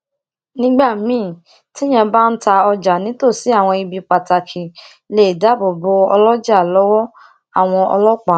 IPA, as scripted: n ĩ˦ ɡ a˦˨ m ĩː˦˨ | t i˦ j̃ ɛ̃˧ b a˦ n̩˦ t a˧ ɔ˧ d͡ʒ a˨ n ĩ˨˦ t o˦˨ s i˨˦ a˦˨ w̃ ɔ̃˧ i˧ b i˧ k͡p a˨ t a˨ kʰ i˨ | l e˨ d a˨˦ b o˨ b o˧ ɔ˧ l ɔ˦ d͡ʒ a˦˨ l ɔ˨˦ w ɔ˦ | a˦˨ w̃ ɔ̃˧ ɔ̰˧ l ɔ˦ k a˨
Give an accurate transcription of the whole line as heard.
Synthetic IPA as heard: n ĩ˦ ɡ͡b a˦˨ m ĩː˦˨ | t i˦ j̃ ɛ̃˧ b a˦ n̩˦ t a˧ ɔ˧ d͡ʒ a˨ n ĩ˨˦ t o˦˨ s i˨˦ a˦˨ w̃ ɔ̃˧ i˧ b i˧ k͡p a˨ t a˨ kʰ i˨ | l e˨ d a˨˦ b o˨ b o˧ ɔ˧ l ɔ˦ d͡ʒ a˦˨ l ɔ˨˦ w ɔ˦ | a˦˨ w̃ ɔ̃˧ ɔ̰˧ l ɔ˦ k͡p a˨